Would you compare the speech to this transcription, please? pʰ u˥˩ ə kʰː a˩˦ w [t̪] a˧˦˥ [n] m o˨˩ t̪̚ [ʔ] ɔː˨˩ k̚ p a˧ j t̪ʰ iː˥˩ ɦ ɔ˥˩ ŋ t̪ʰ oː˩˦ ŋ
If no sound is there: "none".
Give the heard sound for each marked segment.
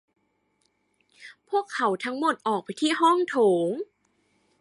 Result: t̪ʰ, ŋ, ʔ

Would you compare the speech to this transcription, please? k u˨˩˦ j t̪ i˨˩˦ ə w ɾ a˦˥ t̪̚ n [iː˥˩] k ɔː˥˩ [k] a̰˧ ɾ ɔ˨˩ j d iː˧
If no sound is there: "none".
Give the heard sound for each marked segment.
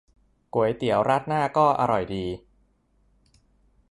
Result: aː˥˩, ʔ

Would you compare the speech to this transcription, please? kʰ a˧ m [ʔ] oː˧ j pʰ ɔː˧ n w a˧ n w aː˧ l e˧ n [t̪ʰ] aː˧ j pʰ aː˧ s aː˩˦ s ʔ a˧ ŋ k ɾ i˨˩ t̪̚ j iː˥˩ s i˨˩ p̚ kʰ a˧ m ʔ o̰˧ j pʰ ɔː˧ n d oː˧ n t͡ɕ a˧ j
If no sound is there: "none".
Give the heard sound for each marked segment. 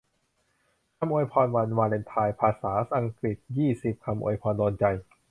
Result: ʔ, t̪ʰ

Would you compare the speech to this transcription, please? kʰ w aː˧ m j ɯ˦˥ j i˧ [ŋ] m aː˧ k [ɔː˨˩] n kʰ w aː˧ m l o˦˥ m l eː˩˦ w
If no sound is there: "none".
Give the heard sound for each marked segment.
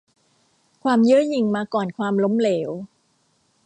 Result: ŋ, ɔː˨˩

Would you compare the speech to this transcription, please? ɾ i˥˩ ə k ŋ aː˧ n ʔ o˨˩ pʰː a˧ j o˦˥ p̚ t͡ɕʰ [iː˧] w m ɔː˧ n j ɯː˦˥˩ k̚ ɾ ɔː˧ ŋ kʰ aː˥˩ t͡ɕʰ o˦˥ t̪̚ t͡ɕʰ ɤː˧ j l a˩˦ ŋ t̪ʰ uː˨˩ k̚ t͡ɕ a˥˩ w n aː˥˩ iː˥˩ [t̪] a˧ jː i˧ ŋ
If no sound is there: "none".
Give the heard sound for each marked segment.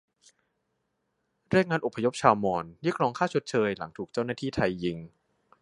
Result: aː˧, t̪ʰ

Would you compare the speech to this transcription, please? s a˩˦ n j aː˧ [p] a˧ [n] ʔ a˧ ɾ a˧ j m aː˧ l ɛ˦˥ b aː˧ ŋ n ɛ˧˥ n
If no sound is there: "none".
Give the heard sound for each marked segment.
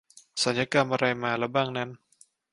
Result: k, m

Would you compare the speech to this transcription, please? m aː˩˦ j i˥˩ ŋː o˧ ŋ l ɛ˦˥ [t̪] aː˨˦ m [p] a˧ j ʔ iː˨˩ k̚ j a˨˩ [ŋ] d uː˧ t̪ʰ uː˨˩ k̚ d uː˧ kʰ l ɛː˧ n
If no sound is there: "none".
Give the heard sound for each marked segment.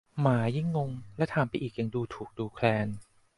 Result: t̪ʰ, p, ŋ

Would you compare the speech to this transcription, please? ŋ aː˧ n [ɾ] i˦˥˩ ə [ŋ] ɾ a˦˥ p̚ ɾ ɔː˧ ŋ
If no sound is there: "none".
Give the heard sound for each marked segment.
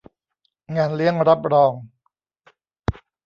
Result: l, ŋ

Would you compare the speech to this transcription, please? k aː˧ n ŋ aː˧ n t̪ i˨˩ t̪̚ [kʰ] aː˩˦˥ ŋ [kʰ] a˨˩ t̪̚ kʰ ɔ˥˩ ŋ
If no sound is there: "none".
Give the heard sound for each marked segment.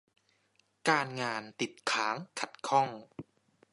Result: kʰ, kʰ

